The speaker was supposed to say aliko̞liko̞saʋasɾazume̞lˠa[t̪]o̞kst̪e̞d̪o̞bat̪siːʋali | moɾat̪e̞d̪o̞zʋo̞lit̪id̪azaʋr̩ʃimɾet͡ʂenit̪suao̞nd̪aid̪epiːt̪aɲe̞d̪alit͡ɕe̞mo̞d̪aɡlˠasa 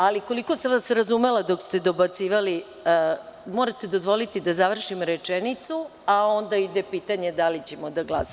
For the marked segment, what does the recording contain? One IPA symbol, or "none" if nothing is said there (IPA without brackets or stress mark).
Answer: d̪